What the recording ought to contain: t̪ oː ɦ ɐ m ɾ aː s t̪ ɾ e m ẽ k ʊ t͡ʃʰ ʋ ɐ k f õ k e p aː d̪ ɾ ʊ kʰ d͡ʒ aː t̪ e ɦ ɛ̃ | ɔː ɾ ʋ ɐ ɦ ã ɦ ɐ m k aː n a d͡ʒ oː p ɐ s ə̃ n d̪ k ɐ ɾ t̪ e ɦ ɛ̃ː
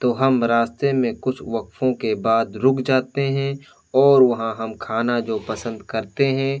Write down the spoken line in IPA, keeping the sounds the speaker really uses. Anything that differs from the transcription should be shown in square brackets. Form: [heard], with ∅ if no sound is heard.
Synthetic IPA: t̪ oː ɦ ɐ m ɾ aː s t̪ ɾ e m ẽ k ʊ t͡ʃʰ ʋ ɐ k f õ k e [b] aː d̪ ɾ ʊ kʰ d͡ʒ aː t̪ e ɦ ɛ̃ | ɔː ɾ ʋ ɐ ɦ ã ɦ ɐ m [kʰ] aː n a d͡ʒ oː p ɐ s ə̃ n d̪ k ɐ ɾ t̪ e ɦ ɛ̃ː